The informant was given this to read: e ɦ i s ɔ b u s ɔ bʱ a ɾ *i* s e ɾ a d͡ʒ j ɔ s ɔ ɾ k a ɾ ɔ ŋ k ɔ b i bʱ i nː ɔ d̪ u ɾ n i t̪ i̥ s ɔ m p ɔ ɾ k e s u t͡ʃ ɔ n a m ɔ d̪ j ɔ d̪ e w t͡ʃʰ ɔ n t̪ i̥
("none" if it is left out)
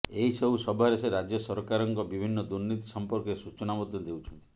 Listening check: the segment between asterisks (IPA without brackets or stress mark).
e